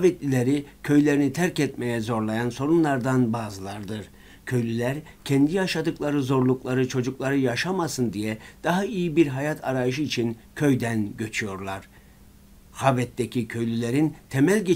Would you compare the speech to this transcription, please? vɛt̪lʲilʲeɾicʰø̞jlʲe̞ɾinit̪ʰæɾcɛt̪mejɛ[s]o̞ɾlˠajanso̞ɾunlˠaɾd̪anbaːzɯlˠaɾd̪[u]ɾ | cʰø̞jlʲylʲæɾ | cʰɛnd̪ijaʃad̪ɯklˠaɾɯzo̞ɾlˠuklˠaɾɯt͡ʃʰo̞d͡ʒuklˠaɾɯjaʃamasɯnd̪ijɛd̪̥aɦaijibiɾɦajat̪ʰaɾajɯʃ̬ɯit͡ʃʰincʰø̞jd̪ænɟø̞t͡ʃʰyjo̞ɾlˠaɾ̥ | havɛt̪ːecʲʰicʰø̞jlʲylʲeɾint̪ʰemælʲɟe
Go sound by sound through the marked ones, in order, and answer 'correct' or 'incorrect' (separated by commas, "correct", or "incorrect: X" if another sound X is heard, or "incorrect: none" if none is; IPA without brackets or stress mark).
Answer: incorrect: z, incorrect: ɯ